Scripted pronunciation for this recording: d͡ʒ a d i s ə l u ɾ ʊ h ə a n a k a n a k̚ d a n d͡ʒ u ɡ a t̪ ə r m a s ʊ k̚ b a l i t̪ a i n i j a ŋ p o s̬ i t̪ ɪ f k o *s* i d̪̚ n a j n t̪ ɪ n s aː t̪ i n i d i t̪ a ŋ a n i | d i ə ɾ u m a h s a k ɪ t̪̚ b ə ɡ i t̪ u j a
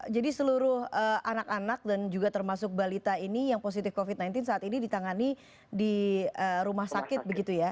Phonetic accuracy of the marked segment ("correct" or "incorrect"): incorrect